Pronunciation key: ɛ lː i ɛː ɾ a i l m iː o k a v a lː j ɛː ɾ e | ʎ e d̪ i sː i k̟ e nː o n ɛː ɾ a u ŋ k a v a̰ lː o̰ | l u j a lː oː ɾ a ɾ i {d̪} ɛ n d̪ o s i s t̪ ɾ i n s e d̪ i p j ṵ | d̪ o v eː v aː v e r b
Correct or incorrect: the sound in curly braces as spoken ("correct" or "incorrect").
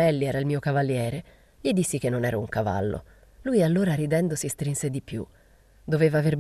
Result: correct